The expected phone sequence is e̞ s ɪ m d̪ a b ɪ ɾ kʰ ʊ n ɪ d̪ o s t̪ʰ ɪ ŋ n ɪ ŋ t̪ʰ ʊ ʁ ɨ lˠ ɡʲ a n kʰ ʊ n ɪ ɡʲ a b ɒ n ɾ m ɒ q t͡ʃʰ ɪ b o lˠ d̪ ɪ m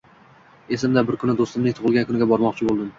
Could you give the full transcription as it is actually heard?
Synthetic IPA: e̞ s ɪ m d̪ a b ɪ ɾ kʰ ʊ n ɪ d̪ o s t̪ ɪ m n ɪ ŋ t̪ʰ ʊ ʁ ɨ lˠ ɡʲ a n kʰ ʊ n ɪ ɡʲ a b ɒ ɾ m ɒ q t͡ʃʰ ɪ b o lˠ d̪ ɪ m